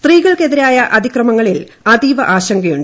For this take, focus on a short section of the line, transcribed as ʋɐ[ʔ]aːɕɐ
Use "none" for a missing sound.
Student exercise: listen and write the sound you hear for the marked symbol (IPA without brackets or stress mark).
ʔ